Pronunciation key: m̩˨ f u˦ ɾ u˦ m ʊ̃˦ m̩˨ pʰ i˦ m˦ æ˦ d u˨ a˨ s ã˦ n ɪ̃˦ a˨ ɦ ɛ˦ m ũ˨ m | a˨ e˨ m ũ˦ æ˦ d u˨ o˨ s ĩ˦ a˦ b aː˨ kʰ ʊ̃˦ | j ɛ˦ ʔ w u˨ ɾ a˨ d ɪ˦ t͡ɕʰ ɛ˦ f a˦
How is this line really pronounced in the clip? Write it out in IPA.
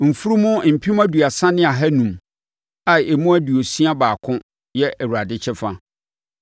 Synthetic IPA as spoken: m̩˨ f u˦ ɾ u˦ m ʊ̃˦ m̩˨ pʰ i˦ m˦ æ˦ d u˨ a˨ s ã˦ n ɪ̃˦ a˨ ɦ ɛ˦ n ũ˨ m | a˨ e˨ m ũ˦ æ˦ d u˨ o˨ s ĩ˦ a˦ b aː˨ kʰ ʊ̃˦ | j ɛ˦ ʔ w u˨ ɾ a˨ d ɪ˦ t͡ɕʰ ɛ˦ f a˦